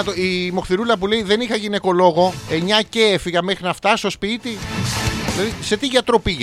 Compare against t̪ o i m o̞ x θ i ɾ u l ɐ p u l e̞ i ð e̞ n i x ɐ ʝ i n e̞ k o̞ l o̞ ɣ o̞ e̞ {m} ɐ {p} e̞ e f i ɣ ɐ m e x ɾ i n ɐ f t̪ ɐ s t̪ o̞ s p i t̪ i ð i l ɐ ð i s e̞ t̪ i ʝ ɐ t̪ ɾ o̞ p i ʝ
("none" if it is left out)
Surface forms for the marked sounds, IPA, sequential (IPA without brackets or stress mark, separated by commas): ɲ, c